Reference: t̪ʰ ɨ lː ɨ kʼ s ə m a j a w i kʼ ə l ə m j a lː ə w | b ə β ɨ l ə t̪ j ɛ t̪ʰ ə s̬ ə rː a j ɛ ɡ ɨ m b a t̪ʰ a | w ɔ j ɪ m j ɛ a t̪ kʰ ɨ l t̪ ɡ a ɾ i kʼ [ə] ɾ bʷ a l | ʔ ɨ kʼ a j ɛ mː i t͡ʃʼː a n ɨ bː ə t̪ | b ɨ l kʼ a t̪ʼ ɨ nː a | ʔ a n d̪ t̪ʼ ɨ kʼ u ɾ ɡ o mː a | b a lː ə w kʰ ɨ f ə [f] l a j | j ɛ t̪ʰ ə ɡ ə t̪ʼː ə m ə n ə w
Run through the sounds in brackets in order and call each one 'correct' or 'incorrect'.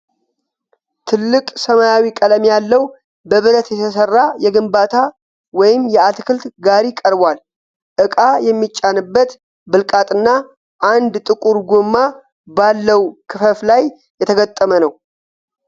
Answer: correct, correct

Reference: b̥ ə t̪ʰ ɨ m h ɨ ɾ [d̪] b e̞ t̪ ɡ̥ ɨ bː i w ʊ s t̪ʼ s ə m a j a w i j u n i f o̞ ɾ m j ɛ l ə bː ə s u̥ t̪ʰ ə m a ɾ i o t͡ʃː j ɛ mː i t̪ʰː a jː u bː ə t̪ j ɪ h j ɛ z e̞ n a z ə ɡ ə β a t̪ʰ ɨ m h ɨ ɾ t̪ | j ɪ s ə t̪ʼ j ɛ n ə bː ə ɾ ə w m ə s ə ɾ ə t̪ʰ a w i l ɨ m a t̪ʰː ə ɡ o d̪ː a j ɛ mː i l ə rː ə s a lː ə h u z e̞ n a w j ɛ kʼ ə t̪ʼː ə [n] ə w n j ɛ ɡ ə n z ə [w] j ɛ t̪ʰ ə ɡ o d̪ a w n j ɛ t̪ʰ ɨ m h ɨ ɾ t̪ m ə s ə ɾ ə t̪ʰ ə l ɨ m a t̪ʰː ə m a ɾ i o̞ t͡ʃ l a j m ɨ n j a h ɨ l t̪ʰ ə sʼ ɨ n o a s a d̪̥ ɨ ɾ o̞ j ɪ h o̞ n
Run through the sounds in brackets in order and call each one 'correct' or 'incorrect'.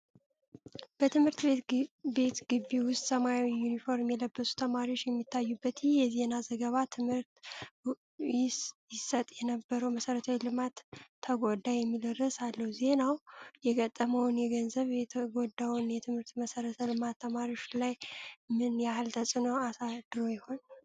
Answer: incorrect: t̪, incorrect: m, incorrect: β

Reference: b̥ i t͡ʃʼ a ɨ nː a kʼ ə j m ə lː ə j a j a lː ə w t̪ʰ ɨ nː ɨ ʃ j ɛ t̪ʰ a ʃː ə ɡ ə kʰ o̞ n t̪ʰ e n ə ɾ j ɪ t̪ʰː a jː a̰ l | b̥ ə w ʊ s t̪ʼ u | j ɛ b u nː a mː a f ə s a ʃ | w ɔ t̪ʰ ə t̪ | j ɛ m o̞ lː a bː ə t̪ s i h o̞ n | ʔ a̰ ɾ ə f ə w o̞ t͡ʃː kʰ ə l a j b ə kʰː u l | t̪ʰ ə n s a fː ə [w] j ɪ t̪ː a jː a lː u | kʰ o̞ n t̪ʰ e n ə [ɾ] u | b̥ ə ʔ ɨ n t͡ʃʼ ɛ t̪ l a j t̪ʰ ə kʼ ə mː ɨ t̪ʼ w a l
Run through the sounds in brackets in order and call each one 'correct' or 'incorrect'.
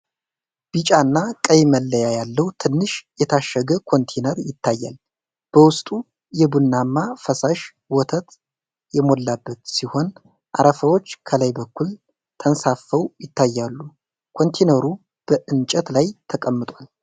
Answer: correct, correct

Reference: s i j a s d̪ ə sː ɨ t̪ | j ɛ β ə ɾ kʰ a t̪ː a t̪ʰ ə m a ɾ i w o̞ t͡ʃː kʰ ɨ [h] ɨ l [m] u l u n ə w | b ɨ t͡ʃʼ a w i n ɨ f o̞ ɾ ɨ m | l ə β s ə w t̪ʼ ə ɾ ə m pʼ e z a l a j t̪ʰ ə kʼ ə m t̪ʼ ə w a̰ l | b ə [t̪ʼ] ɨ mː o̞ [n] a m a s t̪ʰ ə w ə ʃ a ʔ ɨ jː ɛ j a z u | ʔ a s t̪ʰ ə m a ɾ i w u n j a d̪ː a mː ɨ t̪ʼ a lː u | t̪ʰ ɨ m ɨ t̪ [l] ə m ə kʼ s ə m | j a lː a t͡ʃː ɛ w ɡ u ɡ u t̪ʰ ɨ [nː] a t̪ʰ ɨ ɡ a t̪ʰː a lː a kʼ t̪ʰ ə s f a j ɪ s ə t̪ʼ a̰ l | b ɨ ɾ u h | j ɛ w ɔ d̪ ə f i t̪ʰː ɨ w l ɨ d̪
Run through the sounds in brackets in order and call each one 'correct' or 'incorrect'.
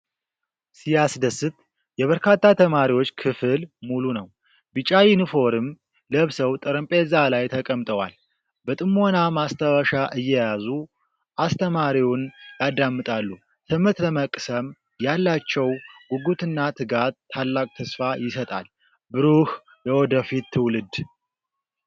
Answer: incorrect: f, correct, correct, correct, correct, correct

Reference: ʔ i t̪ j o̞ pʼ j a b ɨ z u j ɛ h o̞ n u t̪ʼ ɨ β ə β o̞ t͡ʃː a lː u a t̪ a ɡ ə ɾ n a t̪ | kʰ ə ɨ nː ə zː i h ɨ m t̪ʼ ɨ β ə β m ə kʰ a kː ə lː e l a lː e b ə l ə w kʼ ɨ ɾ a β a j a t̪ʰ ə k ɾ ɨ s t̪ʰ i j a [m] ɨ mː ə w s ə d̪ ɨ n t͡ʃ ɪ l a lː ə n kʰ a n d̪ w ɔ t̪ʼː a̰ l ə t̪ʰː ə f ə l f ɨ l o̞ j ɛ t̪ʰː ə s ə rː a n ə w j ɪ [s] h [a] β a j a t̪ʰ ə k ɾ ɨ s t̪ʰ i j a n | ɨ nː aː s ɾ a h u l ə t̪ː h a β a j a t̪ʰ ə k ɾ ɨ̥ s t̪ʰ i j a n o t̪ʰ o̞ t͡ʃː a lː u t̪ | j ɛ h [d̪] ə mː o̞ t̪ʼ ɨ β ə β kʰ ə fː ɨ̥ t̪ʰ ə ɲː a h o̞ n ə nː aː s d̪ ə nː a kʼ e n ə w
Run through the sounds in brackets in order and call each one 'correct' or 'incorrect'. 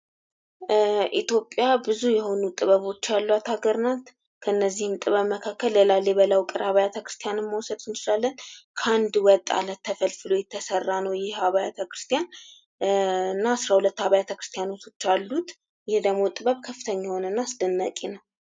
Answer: incorrect: n, incorrect: h, correct, correct

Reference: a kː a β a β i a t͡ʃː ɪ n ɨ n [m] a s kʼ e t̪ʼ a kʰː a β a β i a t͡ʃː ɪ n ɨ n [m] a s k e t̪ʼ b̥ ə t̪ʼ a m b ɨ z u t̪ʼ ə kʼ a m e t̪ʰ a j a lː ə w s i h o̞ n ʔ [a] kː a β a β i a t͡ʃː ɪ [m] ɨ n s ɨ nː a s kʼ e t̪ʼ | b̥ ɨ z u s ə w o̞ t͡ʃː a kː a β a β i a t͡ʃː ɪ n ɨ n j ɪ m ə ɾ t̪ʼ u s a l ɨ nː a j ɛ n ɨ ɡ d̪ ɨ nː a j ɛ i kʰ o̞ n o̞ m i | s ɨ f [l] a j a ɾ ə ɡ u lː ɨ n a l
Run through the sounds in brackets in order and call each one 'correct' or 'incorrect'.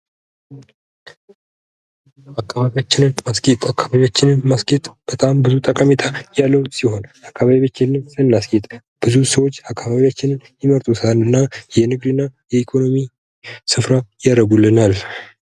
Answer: correct, correct, correct, incorrect: n, incorrect: ɾ

